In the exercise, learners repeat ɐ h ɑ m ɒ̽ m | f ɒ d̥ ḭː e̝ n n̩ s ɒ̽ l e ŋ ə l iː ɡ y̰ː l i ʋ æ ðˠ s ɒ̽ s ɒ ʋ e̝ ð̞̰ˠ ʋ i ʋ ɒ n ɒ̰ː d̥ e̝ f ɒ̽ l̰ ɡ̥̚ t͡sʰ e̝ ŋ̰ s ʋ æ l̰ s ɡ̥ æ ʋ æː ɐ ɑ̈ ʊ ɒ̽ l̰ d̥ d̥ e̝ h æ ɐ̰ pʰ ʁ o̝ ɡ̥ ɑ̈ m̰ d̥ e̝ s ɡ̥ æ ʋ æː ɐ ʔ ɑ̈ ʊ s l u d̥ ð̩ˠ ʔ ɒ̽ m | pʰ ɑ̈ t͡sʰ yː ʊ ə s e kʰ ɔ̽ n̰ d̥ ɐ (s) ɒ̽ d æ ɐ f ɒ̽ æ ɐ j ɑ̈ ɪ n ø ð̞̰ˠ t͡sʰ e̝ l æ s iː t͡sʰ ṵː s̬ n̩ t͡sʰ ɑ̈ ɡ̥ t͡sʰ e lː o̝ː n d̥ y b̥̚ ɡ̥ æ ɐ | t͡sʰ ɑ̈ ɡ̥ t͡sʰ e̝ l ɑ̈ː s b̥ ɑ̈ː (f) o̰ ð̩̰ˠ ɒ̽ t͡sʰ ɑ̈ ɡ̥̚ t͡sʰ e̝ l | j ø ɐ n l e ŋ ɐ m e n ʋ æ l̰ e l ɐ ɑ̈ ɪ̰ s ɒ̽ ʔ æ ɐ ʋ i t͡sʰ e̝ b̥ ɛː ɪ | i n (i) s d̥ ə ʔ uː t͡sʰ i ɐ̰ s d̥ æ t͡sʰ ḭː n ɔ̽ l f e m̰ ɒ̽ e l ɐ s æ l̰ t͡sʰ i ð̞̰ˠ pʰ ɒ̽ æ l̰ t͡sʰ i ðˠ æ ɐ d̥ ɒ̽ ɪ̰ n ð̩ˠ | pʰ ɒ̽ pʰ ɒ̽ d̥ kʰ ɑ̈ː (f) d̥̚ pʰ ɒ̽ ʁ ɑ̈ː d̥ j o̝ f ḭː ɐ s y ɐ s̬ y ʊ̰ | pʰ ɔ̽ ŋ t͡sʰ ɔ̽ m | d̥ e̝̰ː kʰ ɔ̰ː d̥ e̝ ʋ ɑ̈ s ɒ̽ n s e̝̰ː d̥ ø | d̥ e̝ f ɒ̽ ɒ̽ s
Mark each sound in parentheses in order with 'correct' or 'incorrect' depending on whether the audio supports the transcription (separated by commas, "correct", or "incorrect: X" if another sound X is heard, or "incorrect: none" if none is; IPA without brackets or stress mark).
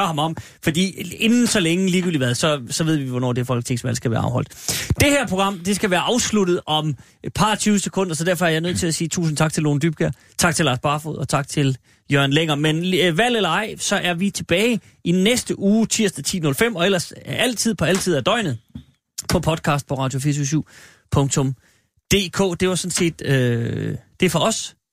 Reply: correct, correct, incorrect: e, incorrect: s